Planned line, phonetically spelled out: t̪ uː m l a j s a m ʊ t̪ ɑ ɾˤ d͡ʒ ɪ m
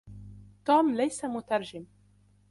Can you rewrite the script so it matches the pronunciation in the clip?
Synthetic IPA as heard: t̪ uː m l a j s a m ʊ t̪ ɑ ɾˤ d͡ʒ ɪ m